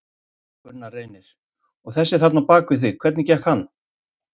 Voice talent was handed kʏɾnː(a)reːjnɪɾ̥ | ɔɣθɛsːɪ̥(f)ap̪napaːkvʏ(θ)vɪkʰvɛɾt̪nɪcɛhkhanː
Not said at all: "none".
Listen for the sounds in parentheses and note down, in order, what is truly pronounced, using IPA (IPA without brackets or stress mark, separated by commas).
a, θ, θ